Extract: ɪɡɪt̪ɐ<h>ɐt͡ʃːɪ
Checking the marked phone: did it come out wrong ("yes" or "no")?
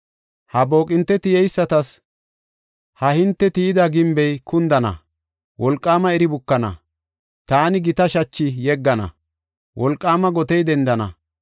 yes